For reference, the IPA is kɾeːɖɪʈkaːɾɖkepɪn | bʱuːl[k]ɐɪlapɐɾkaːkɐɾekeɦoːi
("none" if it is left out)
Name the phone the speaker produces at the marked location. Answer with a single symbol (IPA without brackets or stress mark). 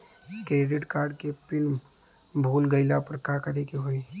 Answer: ɡ